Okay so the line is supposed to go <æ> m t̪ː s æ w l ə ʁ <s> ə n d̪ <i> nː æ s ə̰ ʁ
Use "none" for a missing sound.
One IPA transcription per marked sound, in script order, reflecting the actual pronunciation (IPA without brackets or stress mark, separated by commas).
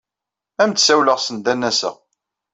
æ, s, æ